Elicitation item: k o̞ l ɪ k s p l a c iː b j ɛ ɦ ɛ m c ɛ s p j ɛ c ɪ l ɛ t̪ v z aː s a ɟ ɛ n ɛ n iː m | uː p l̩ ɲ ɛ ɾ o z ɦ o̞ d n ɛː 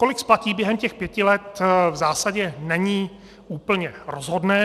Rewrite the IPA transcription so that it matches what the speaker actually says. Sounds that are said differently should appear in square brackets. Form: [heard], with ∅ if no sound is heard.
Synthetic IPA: k o̞ l ɪ k s p l a c iː b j ɛ ɦ ɛ m c ɛ [x] p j ɛ c ɪ l ɛ t̪ v z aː s a ɟ ɛ n ɛ [ɲ] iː [∅] | uː p l̩ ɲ ɛ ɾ o z ɦ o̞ d n ɛː